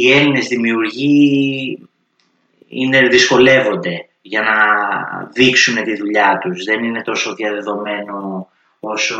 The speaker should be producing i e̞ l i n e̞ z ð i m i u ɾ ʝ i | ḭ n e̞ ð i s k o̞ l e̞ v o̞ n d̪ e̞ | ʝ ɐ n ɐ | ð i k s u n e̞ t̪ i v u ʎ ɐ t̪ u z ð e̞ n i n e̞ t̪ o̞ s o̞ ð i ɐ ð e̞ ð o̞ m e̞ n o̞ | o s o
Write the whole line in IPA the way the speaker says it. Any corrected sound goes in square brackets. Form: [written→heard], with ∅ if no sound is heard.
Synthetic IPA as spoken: i e̞ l i n e̞ z ð i m i u ɾ ʝ i | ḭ n e̞ ð i s k o̞ l e̞ v o̞ n d̪ e̞ | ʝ ɐ n ɐ | ð i k s u n e̞ t̪ i [v→ð] u ʎ ɐ t̪ u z ð e̞ n i n e̞ t̪ o̞ s o̞ ð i ɐ ð e̞ ð o̞ m e̞ n o̞ | o s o